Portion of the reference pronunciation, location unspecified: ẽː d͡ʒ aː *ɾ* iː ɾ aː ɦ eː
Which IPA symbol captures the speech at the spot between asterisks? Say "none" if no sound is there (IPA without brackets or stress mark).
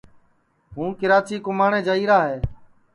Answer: none